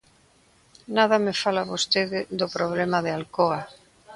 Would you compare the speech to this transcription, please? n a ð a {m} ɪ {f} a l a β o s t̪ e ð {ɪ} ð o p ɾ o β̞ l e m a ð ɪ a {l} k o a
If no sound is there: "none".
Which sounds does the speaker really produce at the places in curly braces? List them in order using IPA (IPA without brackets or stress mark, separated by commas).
m, f, ɪ, l